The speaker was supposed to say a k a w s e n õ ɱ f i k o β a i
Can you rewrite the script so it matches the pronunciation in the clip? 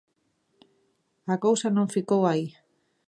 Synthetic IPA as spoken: a k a w s a n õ ɱ f i k o w a i